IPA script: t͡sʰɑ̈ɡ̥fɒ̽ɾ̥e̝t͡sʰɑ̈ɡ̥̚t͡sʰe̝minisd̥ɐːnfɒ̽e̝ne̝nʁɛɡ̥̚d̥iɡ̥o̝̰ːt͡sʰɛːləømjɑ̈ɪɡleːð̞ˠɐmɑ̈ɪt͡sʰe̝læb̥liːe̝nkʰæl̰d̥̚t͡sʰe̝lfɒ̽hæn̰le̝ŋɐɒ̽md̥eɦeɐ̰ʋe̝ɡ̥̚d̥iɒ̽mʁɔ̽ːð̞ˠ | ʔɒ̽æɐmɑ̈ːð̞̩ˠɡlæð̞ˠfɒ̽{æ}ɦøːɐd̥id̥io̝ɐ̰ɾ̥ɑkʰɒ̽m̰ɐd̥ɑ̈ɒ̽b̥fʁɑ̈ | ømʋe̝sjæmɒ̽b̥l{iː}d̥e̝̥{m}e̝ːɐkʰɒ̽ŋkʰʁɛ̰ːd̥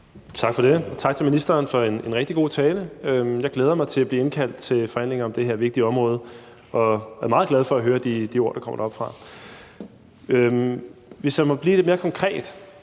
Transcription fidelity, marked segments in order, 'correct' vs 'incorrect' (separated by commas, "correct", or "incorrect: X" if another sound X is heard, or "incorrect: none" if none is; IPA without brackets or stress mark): correct, correct, correct